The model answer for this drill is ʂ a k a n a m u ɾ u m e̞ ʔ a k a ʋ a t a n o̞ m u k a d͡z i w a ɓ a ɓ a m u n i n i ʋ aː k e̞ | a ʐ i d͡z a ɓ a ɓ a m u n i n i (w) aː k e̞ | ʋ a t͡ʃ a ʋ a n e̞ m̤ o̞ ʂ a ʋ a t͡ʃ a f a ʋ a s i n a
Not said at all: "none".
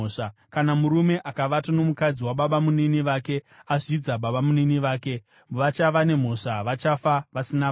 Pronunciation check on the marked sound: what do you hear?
ʋ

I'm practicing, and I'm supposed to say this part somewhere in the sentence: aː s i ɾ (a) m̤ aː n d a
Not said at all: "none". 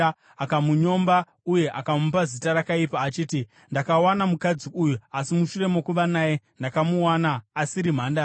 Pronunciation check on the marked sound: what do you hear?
i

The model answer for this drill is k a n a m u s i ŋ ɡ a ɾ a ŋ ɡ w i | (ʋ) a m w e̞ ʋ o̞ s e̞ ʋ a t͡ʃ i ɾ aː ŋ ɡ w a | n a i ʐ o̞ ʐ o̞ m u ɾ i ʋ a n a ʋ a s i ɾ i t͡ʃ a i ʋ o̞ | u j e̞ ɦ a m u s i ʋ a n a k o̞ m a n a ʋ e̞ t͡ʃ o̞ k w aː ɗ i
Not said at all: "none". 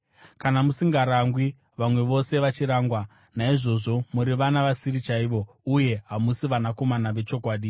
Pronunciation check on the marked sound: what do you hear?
ʋ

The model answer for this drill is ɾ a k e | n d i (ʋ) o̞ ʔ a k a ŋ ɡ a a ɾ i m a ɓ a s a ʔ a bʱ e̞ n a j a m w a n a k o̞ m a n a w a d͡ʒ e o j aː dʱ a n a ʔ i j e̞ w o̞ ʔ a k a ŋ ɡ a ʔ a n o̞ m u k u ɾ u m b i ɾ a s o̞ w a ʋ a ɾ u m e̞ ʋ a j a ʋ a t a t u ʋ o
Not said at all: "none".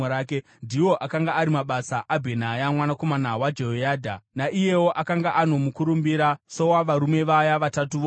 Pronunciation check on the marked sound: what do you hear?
w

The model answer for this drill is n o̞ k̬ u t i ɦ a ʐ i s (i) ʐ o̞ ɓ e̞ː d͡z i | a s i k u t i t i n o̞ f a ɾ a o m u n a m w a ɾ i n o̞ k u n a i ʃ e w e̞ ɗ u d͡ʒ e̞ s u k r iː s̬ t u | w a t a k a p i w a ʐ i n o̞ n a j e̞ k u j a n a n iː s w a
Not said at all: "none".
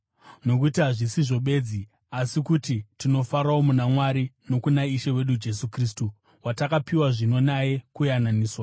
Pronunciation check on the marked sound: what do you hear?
i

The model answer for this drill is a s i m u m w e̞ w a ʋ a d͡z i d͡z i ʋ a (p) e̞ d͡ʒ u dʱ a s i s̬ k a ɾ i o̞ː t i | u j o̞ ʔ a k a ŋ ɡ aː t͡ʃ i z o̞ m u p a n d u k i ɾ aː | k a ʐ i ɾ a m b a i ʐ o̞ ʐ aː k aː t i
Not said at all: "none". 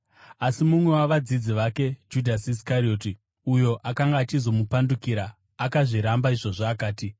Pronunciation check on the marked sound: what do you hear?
k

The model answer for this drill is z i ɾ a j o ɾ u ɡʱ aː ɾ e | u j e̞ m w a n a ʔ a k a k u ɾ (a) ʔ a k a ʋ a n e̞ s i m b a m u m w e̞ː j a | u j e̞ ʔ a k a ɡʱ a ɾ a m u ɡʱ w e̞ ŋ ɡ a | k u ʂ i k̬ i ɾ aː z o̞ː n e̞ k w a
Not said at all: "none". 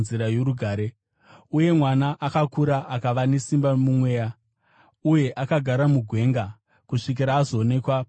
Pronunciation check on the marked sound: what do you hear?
a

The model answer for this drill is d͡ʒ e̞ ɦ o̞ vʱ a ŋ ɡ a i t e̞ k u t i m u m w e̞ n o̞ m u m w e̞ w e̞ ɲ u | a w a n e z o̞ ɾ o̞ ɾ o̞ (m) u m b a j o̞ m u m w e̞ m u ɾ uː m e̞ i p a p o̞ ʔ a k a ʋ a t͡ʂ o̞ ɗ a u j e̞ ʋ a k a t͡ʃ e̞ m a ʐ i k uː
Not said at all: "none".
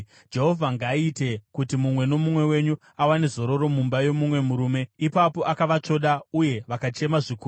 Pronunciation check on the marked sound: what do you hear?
m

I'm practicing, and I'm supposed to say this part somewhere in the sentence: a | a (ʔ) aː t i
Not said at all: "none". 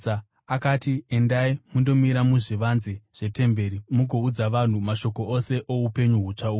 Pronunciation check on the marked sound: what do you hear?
k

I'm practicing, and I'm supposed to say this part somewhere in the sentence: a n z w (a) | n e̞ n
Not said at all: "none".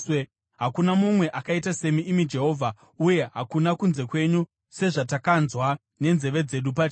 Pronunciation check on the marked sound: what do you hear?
a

